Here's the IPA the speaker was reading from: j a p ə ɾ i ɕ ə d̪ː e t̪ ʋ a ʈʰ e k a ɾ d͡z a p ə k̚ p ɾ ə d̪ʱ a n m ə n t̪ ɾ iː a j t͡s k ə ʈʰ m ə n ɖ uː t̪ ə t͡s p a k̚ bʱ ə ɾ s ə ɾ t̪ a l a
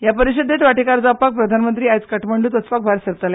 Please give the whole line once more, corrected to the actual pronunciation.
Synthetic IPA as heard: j a p ə ɾ i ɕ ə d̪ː e t̪ ʋ a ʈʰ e k a ɾ d͡z a p a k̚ p ɾ ə d̪ʱ a n m ə n t̪ ɾ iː a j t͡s k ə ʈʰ m ə ɳ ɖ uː t̪ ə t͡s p a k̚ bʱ a ɾ s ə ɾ t̪ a l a